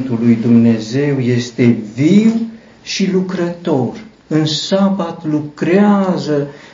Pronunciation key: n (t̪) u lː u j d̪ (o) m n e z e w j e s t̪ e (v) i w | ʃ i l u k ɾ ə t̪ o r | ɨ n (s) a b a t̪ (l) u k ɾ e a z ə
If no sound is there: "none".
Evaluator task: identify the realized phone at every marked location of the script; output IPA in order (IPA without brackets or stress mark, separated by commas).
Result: t̪, u, v, s, l